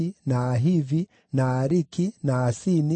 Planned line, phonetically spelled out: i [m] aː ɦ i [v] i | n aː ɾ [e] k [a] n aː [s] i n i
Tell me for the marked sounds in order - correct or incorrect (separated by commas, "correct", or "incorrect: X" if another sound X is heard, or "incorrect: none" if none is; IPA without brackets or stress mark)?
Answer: incorrect: n, correct, incorrect: i, incorrect: i, correct